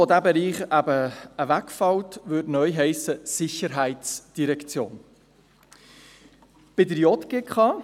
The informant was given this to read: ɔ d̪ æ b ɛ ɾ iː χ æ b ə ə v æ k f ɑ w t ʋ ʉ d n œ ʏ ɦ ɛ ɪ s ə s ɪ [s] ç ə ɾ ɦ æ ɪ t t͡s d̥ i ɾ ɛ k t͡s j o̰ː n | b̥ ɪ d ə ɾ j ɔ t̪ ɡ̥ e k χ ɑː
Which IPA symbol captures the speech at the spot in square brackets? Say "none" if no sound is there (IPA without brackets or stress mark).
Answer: none